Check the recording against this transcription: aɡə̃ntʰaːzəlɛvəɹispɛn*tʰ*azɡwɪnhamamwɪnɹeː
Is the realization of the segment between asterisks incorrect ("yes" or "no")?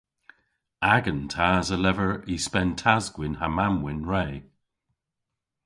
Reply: no